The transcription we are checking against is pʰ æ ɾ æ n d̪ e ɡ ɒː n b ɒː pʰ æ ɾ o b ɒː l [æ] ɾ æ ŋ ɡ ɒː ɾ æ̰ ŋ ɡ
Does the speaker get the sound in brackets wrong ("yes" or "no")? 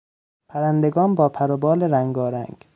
yes